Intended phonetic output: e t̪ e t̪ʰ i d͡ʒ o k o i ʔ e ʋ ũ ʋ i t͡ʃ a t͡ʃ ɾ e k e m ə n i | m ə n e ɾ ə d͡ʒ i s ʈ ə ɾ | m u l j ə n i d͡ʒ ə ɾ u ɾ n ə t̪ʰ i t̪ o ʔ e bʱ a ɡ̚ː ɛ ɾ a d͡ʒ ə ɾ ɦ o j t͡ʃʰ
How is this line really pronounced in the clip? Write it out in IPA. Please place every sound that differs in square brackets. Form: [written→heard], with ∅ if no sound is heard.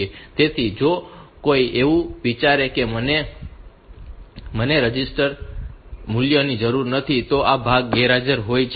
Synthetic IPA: e t̪ e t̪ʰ i d͡ʒ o k o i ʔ e ʋ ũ ʋ i t͡ʃ a [t͡ʃ→∅] ɾ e k e m ə n [i→e] | m ə n e ɾ ə d͡ʒ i s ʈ ə ɾ | m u l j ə n i d͡ʒ ə ɾ u ɾ n ə t̪ʰ i t̪ o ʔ [e→a] bʱ a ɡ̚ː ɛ ɾ a d͡ʒ ə ɾ ɦ o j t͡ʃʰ